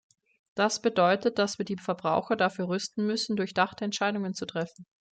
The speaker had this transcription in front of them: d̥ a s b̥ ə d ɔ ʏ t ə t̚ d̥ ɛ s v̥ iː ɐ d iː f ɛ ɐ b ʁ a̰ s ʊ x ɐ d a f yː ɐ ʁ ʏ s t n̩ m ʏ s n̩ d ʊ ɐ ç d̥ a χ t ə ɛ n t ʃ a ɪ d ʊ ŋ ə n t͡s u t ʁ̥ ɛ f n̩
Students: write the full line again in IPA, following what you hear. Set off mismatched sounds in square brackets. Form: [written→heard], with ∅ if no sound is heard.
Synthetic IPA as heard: d̥ a s b̥ ə d ɔ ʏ t ə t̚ d̥ [ɛ→a] s v̥ iː ɐ d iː f ɛ ɐ b ʁ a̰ [s→∅] ʊ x ɐ d a f yː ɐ ʁ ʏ s t n̩ m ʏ s n̩ d ʊ ɐ ç d̥ a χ t ə ɛ n t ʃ a ɪ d ʊ ŋ ə n t͡s u t ʁ̥ ɛ f n̩